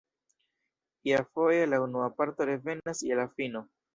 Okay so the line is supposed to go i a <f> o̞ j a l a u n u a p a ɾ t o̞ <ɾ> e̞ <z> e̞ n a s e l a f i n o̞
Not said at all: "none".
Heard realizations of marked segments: f, ɾ, v

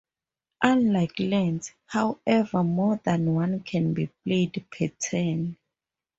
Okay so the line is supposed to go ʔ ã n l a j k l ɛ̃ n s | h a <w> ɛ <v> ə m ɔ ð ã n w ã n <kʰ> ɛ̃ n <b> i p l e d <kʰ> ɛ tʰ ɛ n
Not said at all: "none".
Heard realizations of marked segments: w, v, kʰ, b, pʰ

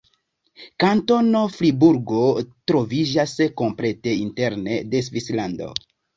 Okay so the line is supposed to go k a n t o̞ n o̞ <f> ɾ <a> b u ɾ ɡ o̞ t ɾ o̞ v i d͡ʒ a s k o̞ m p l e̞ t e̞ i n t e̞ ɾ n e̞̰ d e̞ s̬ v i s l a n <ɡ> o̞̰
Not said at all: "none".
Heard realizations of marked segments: f, i, d

